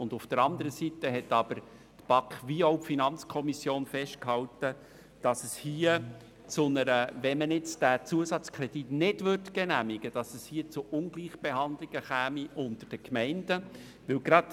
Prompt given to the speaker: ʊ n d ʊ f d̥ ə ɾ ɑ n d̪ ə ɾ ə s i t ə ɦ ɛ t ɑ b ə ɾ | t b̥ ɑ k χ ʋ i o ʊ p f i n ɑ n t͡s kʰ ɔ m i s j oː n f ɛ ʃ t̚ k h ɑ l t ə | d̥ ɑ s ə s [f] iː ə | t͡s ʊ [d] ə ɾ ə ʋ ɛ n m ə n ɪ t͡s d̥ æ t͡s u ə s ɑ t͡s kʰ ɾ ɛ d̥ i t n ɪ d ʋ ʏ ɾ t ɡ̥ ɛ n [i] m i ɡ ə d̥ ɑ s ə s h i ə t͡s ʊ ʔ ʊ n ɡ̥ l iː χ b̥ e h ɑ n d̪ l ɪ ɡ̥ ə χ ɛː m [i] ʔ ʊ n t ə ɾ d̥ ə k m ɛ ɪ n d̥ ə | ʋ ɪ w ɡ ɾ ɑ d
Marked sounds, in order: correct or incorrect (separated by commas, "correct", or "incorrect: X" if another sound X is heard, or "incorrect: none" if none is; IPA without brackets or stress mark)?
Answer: incorrect: h, incorrect: n, incorrect: æ, correct